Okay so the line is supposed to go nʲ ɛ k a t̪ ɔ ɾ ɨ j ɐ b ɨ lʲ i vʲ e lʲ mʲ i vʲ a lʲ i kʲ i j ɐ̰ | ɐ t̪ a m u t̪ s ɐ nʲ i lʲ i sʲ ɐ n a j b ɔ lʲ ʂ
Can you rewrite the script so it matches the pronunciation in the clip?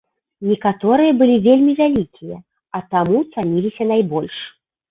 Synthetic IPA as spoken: nʲ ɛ k a t̪ ɔ ɾ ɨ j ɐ b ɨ lʲ i vʲ e lʲ mʲ i vʲ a lʲ i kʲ i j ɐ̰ | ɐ t̪ a m u t̪ s a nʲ i lʲ i sʲ ɐ n a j b ɔ lʲ ʂ